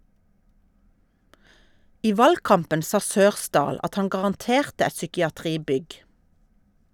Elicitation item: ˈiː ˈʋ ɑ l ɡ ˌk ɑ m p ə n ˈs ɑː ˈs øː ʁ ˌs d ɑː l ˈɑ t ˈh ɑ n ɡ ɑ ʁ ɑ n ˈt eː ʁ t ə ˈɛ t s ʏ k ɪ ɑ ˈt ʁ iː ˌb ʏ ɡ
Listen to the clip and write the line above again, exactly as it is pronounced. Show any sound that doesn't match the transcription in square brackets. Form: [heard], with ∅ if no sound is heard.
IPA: ˈiː ˈʋ ɑ l ɡ ˌk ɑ m p ə n ˈs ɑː ˈs øː ʁ ˌs d ɑː l ˈɑ t ˈh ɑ n ɡ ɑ ʁ ɑ n ˈt eː ʁ t ə ˈɛ t s ʏ k ɪ ɑ ˈt ʁ iː ˌb ʏ ɡ

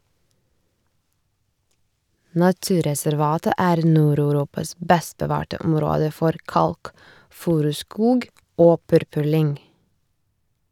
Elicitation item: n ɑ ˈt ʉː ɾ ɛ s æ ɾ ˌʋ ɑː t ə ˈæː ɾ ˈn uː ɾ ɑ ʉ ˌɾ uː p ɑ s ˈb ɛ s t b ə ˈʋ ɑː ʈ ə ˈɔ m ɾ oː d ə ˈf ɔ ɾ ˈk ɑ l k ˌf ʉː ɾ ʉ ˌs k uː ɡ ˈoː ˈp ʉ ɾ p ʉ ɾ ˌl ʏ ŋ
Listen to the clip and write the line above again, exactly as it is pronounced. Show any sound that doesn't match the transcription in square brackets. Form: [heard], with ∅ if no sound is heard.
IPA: n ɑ ˈt ʉː ɾ ɛ s æ ɾ ˌʋ ɑː t ə ˈæː ɾ ˈn uː ɾ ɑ ʉ ˌɾ uː p ɑ s ˈb ɛ s t b ə ˈʋ ɑː ʈ ə ˈɔ m ɾ oː d ə ˈf ɔ ɾ ˈk ɑ l k ˌf ʉː ɾ ʉ ˌs k uː ɡ ˈoː ˈp ʉ ɾ p ʉ ɾ ˌl ʏ ŋ

